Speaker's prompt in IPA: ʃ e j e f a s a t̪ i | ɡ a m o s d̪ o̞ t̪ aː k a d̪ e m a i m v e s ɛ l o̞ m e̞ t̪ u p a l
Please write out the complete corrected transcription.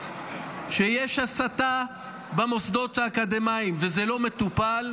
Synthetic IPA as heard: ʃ e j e ʃ a s a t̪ a | b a m o s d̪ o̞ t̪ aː k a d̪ e m a i m v e z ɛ l o̞ m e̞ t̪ u p a l